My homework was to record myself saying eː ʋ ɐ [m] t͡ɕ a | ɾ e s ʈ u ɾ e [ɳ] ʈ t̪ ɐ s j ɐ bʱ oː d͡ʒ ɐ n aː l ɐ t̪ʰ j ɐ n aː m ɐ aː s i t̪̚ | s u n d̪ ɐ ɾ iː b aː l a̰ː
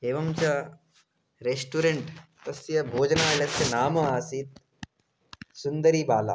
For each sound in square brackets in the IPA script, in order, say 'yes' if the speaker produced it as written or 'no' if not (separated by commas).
yes, yes